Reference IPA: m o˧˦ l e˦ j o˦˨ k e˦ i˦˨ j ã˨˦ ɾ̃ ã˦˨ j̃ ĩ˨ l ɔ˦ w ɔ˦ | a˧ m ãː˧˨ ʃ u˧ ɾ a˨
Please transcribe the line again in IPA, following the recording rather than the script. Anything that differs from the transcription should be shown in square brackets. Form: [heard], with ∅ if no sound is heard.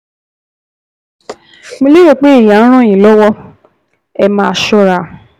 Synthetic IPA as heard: m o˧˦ l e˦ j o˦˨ [k͡p] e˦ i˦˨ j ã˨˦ ɾ̃ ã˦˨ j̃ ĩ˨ l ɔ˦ w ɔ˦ | [ɛ˧] m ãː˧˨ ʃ [ɔ˧] ɾ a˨